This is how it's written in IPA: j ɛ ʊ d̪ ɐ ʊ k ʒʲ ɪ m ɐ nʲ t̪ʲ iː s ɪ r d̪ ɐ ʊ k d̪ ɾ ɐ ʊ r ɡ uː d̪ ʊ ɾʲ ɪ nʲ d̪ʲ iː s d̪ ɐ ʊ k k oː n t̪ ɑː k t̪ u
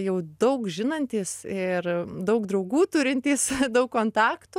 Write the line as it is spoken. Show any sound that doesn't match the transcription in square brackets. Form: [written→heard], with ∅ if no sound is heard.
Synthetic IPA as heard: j ɛ ʊ d̪ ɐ ʊ k ʒʲ ɪ [m→n] ɐ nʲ t̪ʲ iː s ɪ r d̪ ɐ ʊ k d̪ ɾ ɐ ʊ [r→∅] ɡ uː [d̪→t̪] ʊ ɾʲ ɪ nʲ [d̪ʲ→t̪ʲ] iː s d̪ ɐ ʊ k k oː n t̪ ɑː k t̪ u